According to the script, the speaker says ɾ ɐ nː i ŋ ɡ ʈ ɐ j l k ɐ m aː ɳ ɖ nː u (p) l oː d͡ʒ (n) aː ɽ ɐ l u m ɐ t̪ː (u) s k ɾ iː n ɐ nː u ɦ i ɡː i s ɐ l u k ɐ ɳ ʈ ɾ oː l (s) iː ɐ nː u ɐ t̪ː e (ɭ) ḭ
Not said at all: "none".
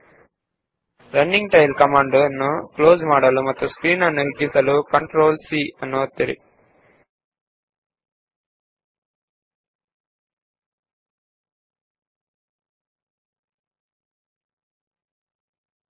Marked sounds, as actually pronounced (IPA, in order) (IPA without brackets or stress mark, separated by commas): k, m, u, s, ɾ